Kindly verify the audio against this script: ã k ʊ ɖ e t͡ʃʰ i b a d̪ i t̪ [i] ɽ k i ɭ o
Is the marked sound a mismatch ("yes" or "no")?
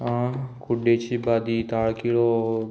yes